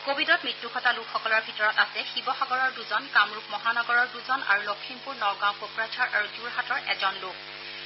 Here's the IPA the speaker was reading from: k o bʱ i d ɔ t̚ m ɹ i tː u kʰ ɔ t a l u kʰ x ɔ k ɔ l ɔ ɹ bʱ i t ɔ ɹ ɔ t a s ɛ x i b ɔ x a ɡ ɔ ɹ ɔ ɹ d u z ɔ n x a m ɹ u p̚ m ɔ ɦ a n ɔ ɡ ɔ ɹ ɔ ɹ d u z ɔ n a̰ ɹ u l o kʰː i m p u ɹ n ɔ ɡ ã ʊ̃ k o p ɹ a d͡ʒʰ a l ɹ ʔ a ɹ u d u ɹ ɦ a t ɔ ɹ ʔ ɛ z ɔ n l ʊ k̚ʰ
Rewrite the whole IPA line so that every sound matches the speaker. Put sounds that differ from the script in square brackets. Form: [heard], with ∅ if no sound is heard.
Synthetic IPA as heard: k o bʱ i d ɔ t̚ m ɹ i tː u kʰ ɔ t a l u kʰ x ɔ k ɔ l ɔ ɹ bʱ i t ɔ ɹ ɔ t a s ɛ x i b ɔ x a ɡ ɔ ɹ ɔ ɹ d u z ɔ n [k] a m ɹ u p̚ m ɔ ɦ a n ɔ ɡ ɔ ɹ ɔ ɹ d u z ɔ n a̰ ɹ u l o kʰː i m p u ɹ n ɔ ɡ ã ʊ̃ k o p ɹ a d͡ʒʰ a [∅] ɹ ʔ a ɹ u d u ɹ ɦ a t ɔ ɹ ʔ ɛ z ɔ n l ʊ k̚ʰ